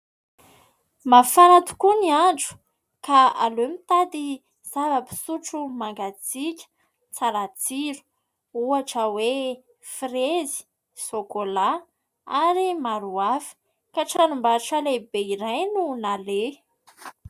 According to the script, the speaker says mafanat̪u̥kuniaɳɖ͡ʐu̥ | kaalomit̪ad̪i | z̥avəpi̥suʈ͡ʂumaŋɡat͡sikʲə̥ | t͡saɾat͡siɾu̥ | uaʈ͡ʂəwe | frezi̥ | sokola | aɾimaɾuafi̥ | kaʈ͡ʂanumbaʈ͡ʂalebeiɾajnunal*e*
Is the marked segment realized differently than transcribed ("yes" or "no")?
no